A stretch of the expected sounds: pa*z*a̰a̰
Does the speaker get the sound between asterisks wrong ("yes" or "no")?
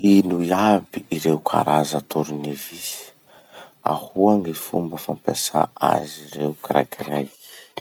yes